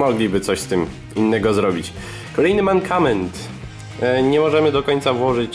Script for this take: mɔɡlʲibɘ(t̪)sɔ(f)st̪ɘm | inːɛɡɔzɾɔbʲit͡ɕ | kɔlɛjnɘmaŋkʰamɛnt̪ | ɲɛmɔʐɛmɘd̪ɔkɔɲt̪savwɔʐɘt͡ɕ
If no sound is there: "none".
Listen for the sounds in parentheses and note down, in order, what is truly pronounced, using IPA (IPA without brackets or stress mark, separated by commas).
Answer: t̪, ɕ